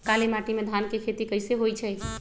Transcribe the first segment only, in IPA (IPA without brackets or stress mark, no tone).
k